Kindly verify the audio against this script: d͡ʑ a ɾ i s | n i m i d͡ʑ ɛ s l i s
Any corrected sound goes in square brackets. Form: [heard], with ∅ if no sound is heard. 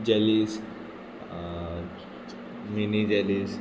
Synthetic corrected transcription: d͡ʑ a [l] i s | [m] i [n] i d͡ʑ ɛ [∅] l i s